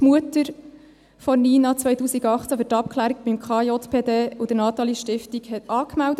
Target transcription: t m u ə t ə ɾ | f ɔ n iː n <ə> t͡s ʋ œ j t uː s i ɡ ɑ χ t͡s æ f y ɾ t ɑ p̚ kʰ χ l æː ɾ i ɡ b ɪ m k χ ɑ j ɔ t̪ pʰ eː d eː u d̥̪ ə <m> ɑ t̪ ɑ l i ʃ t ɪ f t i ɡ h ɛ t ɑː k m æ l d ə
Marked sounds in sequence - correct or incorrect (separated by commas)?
incorrect, incorrect